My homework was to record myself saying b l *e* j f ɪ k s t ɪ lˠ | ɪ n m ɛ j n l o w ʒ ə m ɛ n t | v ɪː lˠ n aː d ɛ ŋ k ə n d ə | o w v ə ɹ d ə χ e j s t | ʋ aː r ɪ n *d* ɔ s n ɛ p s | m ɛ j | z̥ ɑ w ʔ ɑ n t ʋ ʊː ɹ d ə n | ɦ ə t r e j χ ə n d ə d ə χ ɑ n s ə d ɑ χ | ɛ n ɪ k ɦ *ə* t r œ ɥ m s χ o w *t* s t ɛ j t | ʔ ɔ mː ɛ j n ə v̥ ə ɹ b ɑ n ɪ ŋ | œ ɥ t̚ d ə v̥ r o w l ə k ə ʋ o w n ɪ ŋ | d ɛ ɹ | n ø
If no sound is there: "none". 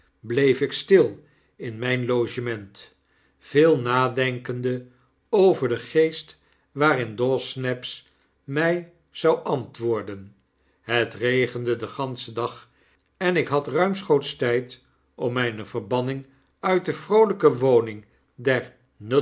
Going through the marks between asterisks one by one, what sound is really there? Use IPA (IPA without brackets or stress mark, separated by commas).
e, d, ɑ, t